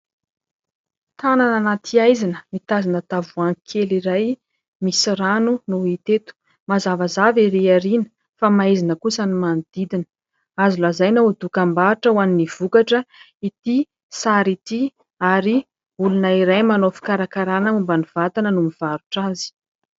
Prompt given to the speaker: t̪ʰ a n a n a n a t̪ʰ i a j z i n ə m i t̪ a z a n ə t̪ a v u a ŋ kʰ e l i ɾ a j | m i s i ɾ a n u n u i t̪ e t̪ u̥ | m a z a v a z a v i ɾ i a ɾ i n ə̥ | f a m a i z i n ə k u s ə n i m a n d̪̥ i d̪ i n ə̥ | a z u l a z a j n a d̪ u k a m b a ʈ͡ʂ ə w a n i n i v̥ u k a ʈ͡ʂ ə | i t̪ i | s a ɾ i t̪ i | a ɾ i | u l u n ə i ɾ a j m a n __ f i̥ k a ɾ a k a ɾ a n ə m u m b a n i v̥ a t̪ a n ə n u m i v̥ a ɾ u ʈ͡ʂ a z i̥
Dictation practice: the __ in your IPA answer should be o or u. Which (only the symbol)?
o